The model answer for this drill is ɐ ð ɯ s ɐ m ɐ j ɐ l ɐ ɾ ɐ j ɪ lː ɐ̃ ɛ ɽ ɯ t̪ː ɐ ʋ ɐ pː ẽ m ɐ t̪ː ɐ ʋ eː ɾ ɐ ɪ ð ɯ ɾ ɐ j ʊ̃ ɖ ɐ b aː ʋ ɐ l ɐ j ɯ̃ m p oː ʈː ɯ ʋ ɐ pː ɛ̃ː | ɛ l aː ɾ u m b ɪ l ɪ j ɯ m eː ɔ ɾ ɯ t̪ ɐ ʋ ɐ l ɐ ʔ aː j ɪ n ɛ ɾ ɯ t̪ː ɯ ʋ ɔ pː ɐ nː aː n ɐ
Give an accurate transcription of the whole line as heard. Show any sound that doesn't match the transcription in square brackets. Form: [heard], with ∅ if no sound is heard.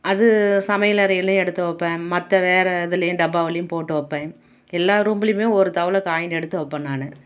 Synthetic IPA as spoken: ɐ ð ɯ s ɐ m ɐ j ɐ l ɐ ɾ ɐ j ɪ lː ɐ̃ ɛ ɽ ɯ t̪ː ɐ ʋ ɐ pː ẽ m ɐ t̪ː ɐ ʋ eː ɾ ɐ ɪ ð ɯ [l] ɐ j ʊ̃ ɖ ɐ b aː ʋ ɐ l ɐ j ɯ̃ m p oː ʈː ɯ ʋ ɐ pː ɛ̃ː | ɛ [lː] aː ɾ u m b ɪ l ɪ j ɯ m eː ɔ ɾ ɯ t̪ ɐ ʋ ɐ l ɐ [k] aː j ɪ n ɛ [ɽ] ɯ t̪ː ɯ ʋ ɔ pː ɐ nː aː n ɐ